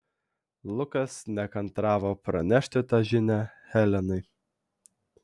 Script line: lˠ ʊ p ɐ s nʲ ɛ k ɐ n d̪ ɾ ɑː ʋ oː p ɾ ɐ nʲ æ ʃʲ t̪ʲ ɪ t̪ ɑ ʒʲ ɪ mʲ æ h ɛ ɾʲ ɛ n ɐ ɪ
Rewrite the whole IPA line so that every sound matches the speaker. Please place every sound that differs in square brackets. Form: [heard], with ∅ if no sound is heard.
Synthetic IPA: lˠ ʊ [k] ɐ s nʲ ɛ k ɐ n [t̪] ɾ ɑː ʋ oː p ɾ ɐ nʲ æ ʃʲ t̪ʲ ɪ t̪ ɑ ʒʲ ɪ [nʲ] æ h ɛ [lʲ] ɛ n ɐ ɪ